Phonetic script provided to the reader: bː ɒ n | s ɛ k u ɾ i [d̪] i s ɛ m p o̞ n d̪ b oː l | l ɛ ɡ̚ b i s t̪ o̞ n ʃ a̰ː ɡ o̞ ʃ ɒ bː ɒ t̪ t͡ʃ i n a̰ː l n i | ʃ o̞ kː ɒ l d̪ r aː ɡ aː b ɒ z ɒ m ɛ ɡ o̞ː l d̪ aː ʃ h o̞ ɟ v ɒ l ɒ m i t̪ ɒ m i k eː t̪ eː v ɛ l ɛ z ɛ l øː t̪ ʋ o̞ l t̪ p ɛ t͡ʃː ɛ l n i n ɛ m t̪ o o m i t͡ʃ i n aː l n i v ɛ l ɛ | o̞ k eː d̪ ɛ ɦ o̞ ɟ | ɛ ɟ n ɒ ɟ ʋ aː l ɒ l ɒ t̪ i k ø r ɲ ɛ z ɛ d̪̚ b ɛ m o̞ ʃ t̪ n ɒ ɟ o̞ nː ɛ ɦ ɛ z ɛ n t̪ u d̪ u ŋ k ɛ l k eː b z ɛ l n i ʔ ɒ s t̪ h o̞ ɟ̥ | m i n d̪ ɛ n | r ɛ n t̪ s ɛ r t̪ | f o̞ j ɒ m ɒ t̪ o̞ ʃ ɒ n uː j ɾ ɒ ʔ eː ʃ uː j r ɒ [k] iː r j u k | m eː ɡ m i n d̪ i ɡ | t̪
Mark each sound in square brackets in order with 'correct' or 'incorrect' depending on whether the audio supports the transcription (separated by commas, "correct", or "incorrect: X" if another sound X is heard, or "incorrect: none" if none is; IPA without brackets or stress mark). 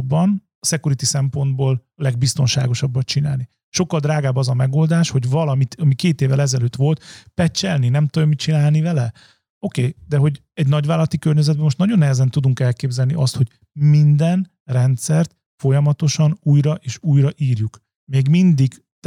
incorrect: t̪, incorrect: ʔ